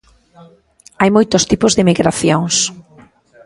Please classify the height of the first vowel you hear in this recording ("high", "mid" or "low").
low